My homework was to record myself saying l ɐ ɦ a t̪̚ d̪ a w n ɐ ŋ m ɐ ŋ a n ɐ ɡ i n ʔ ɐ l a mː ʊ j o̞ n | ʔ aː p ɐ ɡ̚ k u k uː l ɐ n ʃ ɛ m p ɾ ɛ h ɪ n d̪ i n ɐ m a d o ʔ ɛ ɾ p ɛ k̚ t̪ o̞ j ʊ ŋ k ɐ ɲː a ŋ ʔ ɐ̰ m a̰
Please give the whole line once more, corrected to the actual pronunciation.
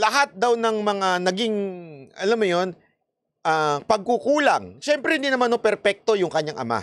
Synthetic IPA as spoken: l ɐ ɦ a t̪̚ d̪ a w n ɐ ŋ m ɐ ŋ a n ɐ ɡ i ŋ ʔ ɐ l a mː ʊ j o̞ n | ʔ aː p ɐ ɡ̚ k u k uː l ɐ ŋ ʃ ɛ m p ɾ ɛ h ɪ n d̪ i n ɐ m a n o p ɛ ɾ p ɛ k̚ t̪ o̞ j ʊ ŋ k ɐ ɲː a ŋ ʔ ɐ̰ m a̰